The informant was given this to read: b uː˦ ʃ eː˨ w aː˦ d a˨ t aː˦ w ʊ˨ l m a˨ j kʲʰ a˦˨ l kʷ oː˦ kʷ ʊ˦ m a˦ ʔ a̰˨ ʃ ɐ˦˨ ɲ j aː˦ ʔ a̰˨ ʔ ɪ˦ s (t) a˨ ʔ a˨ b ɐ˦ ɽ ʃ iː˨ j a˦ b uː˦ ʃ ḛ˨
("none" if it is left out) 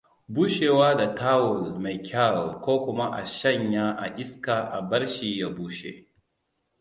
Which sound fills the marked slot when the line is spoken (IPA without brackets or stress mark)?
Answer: k